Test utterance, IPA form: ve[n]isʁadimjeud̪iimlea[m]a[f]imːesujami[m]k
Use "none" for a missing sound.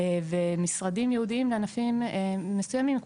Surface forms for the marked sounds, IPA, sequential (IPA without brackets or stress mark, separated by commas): m, n, f, m